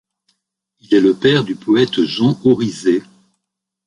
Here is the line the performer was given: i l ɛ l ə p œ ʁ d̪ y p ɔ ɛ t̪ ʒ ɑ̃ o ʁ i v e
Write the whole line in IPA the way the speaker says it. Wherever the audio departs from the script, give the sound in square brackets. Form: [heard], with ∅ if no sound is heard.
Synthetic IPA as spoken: i l ɛ l ə p [ɛ] ʁ d̪ y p ɔ ɛ t̪ ʒ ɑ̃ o ʁ i [z] e